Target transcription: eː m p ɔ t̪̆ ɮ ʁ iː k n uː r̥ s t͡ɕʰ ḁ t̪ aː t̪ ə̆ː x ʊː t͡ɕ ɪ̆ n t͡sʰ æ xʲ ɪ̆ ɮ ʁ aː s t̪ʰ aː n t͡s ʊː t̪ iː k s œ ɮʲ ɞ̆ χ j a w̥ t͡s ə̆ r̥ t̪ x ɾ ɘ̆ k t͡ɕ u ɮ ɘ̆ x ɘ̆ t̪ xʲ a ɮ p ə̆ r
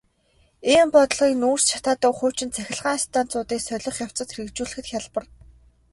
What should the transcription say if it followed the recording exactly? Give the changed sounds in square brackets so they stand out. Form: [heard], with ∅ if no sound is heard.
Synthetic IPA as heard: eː m p ɔ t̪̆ ɮ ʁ iː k n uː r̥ s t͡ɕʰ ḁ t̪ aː t̪ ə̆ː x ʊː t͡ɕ ɪ̆ n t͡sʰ æ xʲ ɪ̆ ɮ ʁ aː s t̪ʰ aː n t͡s ʊː t̪ iː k s œ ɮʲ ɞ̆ χ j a w̥ t͡s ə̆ [∅] t̪ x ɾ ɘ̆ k t͡ɕ [uː] ɮ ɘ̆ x ɘ̆ t̪ xʲ a ɮ p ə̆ r